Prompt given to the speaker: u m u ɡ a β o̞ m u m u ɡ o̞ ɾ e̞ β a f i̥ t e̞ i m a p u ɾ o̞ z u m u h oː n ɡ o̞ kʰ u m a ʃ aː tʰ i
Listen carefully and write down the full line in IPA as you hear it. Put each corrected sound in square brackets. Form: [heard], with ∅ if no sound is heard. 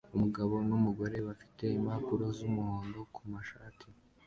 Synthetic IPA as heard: u m u ɡ a β o̞ [n] u m u ɡ o̞ ɾ e̞ β a f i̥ t e̞ i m a p u ɾ o̞ z u m u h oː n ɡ o̞ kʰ u m a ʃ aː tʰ i